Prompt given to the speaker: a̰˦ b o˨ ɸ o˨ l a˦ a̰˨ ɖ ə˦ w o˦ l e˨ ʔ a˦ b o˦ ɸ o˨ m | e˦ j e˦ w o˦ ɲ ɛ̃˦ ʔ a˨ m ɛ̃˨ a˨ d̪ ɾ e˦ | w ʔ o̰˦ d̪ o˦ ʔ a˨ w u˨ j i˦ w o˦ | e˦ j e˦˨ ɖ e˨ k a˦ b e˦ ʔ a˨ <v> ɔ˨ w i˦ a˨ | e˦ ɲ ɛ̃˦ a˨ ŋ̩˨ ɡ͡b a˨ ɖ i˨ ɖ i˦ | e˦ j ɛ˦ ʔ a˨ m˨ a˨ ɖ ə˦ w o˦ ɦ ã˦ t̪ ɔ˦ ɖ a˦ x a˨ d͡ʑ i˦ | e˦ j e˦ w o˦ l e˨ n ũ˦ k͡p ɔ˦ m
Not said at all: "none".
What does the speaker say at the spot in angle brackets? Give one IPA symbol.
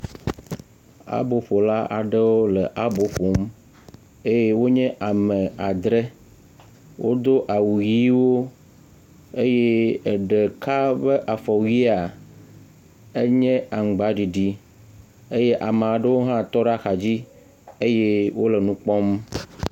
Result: f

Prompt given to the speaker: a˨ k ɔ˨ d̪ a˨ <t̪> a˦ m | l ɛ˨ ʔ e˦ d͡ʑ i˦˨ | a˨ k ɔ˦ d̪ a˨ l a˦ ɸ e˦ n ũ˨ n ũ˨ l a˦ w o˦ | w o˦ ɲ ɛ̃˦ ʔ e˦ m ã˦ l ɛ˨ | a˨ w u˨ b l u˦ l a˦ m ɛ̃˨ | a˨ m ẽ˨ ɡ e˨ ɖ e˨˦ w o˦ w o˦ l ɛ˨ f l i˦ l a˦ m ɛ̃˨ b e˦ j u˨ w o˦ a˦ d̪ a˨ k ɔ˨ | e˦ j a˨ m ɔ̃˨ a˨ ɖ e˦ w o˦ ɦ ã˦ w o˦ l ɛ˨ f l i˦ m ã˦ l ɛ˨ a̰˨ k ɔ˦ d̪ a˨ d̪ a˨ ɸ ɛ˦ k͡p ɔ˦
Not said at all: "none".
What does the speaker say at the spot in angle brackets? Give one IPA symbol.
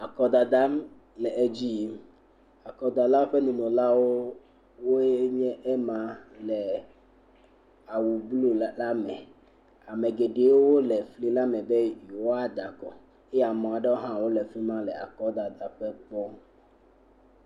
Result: d̪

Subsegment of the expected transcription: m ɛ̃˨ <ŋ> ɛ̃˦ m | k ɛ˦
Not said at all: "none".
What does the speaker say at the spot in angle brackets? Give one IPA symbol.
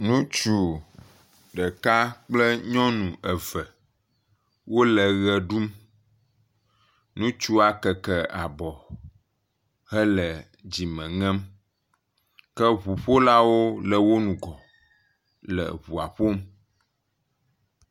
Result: ŋ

